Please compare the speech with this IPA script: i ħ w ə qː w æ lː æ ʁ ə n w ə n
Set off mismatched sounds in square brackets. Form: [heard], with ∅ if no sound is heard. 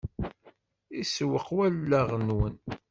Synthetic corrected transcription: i [s] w ə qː w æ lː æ ʁ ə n w ə n

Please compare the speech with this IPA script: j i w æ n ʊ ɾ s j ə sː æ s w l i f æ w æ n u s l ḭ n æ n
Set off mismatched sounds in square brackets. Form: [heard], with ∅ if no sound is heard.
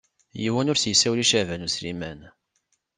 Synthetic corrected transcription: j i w æ n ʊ ɾ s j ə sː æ [∅] w l i [ʃ] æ [v] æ n u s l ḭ [m] æ n

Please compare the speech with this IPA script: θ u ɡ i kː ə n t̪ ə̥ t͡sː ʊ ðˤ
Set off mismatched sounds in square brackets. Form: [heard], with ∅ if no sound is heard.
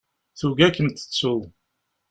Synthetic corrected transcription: θ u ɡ [æ] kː ə n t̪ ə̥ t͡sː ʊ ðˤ

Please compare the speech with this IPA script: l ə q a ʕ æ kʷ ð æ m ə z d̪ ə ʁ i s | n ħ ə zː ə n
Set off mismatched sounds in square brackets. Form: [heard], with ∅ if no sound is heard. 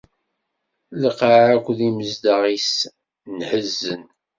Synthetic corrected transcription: l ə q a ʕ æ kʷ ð [i] m ə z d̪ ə ʁ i s | n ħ ə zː ə n

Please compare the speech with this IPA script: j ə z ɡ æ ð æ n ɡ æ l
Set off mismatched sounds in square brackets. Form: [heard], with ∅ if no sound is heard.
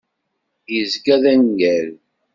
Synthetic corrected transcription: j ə z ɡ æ ð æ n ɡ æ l

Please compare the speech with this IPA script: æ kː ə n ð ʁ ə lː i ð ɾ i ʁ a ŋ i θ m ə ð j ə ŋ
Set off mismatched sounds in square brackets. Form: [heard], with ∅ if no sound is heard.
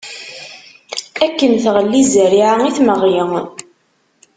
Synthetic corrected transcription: æ kː ə n [θ] ʁ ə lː i [z] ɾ i [ʕ] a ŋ i θ m ə [ʁ] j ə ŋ

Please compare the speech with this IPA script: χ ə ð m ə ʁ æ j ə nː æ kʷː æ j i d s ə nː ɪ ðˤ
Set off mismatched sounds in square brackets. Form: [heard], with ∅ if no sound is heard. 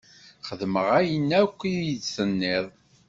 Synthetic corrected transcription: χ ə ð m ə ʁ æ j ə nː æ kʷː [i] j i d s ə nː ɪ ðˤ

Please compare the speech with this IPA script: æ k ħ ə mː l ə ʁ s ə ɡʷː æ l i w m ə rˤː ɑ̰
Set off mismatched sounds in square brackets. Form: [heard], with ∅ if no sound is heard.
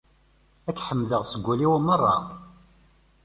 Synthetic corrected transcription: æ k ħ ə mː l ə ʁ s ə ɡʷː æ l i w m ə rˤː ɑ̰

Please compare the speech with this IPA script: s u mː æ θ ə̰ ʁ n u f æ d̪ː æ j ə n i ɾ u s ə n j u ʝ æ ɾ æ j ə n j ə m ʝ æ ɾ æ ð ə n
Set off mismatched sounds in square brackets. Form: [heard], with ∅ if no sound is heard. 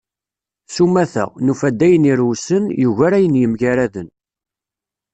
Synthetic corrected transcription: s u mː æ θ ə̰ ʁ n u f æ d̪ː æ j ə n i ɾ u s ə n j u ʝ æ ɾ æ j ə n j ə m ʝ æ ɾ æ ð ə n

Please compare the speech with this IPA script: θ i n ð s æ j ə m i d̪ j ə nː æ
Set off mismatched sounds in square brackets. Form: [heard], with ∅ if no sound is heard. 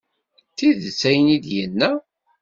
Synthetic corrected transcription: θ i [∅] ð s æ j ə [n] i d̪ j ə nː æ

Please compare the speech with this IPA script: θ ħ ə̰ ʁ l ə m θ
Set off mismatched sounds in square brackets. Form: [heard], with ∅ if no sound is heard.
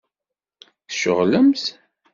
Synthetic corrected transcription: θ [ʃ] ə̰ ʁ l ə m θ

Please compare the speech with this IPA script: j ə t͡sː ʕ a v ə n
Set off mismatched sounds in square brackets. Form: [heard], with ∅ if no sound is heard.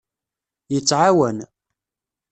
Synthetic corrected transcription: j ə t͡sː ʕ a [w] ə n

